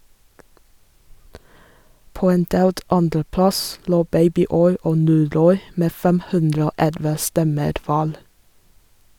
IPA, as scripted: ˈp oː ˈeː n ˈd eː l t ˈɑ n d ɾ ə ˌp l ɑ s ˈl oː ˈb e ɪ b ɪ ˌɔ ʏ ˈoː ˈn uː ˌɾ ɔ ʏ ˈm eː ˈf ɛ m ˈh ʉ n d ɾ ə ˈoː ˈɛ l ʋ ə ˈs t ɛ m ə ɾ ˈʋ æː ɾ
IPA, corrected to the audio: ˈp oː ˈeː n ˈd eː l t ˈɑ n d ɾ ə ˌp l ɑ s ˈl oː ˈb e ɪ b ɪ ˌɔ ʏ ˈoː ˈn uː ˌɾ ɔ ʏ ˈm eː ˈf ɛ m ˈh ʉ n d ɾ ə ˈoː ˈɛ l ʋ ə ˈs t ɛ m ə ɾ ˈʋ æː ɾ